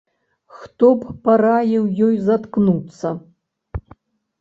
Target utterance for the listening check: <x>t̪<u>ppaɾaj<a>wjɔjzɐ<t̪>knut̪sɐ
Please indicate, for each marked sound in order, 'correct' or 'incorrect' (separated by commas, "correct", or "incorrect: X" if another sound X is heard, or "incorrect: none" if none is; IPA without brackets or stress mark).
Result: correct, incorrect: ɔ, incorrect: ɛ, correct